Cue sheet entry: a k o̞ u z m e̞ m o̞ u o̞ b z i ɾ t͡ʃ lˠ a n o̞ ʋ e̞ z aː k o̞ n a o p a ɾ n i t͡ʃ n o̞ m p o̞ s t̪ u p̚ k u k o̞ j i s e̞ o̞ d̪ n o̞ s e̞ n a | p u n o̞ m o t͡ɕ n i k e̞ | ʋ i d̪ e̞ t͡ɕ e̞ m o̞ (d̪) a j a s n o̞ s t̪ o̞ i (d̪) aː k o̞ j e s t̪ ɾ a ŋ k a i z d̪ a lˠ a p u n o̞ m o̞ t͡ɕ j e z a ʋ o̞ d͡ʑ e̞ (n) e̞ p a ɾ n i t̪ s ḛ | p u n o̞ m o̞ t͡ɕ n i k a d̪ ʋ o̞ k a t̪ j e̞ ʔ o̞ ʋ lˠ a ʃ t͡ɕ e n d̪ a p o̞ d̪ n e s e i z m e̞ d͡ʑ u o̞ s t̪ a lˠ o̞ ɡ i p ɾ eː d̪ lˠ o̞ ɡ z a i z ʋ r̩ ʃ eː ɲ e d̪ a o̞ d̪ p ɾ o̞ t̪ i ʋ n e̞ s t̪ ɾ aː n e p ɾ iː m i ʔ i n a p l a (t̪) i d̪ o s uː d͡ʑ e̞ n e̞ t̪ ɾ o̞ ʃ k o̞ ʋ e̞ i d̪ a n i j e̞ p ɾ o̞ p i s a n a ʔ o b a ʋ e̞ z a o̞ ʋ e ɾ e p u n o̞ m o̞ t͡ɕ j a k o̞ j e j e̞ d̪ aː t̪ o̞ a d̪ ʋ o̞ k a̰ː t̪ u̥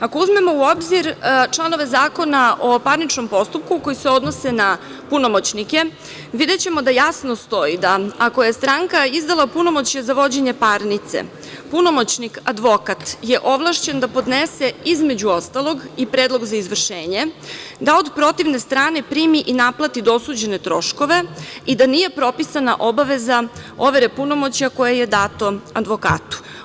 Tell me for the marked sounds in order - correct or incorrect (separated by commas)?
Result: correct, correct, incorrect, correct